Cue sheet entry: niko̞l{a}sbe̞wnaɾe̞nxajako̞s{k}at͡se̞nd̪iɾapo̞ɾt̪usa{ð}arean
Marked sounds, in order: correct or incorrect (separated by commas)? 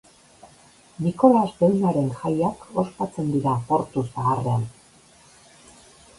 correct, incorrect, incorrect